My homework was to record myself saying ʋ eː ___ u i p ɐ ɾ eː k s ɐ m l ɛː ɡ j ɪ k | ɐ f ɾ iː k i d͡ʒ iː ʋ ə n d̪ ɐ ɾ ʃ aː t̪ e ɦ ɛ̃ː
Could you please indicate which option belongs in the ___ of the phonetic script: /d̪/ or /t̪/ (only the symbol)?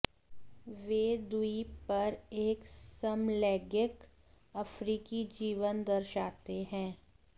d̪